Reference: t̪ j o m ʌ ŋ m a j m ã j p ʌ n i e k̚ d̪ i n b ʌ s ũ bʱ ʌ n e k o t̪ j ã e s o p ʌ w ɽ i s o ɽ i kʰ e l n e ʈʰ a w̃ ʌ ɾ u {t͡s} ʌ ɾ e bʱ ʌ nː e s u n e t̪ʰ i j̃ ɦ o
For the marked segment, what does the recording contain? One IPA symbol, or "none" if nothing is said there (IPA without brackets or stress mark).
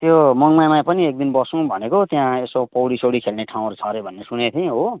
t͡sʰ